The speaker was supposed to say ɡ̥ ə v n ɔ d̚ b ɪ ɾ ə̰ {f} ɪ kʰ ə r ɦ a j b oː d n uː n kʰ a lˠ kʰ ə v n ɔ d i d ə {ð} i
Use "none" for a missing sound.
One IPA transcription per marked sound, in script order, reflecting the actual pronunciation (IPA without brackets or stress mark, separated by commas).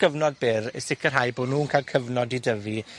s, v